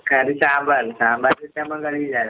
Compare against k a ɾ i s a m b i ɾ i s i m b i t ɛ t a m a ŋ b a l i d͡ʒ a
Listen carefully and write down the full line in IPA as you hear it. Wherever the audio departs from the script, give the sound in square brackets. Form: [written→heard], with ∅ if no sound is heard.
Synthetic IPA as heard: k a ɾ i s a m b [i→a] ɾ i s [i→a] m b [i→a] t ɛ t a m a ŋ [b→ɡ] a l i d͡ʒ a